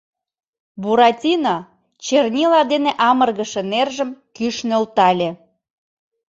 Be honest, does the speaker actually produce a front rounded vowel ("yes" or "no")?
yes